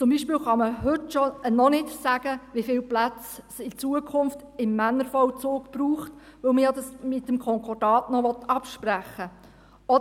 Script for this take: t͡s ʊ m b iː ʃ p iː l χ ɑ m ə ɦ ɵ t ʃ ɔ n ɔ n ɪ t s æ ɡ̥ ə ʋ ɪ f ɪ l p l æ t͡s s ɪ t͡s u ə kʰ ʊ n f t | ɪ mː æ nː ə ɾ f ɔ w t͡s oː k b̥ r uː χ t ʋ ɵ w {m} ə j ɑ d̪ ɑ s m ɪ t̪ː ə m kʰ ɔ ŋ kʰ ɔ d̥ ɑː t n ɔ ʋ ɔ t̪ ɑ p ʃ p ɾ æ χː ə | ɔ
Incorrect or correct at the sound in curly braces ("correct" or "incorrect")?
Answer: correct